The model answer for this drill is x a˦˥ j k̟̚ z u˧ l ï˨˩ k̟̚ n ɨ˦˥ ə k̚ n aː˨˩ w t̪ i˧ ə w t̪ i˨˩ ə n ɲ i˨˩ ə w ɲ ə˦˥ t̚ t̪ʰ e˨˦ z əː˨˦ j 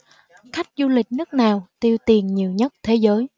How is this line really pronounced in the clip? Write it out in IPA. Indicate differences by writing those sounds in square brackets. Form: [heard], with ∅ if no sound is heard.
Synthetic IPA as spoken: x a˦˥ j k̟̚ z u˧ l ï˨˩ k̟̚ n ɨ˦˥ ə k̚ n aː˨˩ w t̪ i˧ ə w t̪ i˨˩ ə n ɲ i˨˩ ə w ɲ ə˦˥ t̚ t̪ʰ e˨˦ z əː˨˦ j